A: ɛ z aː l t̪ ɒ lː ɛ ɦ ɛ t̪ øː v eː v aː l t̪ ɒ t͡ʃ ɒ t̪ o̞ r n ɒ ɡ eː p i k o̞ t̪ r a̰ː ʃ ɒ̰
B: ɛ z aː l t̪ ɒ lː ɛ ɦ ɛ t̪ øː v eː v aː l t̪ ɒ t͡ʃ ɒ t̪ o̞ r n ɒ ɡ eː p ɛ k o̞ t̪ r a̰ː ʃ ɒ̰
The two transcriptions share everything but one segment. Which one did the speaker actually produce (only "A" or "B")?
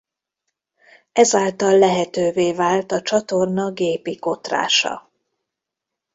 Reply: A